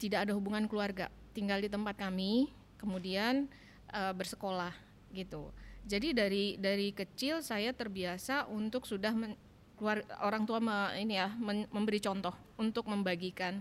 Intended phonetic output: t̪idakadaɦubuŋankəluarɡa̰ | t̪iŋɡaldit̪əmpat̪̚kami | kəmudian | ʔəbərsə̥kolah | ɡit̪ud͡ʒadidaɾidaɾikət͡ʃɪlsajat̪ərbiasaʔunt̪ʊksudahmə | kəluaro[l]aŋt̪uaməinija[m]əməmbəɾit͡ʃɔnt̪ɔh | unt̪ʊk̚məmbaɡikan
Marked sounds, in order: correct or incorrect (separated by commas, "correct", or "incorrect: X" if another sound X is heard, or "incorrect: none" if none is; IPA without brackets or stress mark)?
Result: incorrect: ɾ, correct